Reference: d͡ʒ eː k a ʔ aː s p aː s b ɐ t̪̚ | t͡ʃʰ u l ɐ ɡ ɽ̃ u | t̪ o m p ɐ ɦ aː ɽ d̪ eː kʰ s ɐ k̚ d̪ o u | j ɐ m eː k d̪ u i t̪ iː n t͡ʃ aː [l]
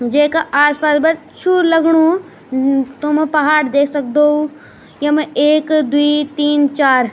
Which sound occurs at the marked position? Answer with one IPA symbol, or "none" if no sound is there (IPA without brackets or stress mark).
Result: ɾ